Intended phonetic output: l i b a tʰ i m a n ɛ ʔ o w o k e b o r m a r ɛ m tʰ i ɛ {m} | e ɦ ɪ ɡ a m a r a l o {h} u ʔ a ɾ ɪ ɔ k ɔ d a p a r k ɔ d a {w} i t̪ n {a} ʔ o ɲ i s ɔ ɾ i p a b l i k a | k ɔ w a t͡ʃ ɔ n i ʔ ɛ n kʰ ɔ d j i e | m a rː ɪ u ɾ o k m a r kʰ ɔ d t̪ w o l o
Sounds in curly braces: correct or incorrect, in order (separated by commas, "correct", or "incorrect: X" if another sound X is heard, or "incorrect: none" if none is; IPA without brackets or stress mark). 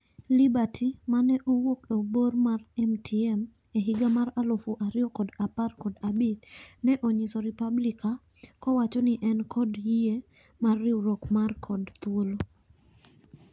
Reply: correct, incorrect: f, incorrect: b, incorrect: ɛ